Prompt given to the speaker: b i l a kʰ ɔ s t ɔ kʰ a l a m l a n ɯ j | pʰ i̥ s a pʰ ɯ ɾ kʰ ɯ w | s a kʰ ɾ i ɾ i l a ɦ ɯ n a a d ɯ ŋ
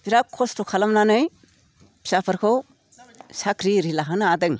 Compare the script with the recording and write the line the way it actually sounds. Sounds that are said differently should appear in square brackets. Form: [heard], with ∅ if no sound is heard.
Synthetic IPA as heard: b i [ɾ] a kʰ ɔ s t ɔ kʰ a l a m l a n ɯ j | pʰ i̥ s a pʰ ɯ ɾ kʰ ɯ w | s a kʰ ɾ i ɾ i l a ɦ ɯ n a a d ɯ ŋ